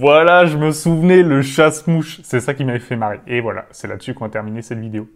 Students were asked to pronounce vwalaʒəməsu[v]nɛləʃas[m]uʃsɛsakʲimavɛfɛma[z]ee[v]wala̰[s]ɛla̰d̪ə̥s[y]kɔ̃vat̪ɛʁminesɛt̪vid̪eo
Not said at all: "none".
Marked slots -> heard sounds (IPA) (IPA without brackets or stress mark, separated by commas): v, m, ʁ, v, s, y